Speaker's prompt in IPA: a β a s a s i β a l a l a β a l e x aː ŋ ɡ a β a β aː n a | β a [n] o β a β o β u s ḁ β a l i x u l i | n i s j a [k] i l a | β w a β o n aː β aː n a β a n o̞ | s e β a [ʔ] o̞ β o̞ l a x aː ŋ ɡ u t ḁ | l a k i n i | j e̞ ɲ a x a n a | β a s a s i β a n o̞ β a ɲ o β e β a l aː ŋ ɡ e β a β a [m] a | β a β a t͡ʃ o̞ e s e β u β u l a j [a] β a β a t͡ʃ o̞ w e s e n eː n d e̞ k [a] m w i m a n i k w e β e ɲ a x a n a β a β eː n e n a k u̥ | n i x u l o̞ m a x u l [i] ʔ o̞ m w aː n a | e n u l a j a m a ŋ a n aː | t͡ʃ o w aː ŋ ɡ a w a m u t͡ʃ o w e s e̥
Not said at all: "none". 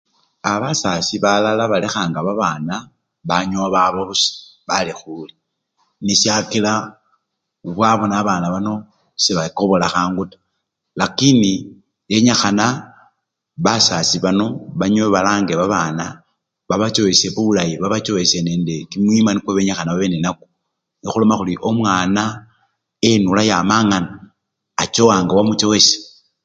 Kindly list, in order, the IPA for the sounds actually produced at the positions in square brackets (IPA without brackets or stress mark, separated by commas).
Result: ɲ, k, k, n, i, i, i